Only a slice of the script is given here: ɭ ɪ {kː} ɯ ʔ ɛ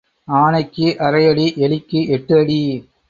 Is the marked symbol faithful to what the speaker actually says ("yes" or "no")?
yes